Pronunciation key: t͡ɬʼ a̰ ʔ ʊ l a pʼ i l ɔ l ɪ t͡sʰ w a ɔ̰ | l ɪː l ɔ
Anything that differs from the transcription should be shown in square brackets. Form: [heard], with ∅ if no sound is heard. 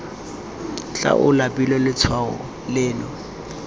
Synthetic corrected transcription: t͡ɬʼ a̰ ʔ ʊ l a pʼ i l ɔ l ɪ t͡sʰ w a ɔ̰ | l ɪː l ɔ